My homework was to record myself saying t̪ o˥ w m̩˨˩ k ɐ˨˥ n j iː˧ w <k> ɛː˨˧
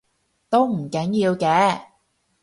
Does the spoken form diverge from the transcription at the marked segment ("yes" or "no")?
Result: no